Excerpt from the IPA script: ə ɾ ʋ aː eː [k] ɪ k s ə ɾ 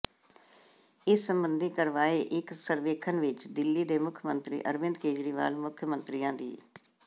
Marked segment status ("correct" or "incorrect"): incorrect